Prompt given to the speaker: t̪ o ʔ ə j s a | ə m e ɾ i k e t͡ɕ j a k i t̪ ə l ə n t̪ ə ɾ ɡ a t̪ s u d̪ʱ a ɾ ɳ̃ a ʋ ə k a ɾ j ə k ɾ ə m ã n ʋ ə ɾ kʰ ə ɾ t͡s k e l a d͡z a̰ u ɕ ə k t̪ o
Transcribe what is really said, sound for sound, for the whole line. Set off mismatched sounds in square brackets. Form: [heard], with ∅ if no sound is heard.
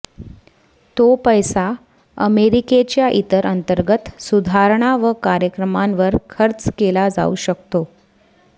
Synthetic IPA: t̪ o [p] ə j s a | ə m e ɾ i k e t͡ɕ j a [ʔ] i t̪ ə [ɾ] ə n t̪ ə ɾ ɡ [ə] t̪ s u d̪ʱ a ɾ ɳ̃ a ʋ ə k a ɾ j ə k ɾ ə m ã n ʋ ə ɾ kʰ ə ɾ t͡s k e l a d͡z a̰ u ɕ ə k t̪ o